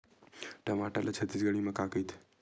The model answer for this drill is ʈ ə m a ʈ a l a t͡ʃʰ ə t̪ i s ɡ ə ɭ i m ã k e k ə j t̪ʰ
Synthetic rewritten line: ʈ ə m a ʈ a l a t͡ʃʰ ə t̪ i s ɡ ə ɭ i m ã k a k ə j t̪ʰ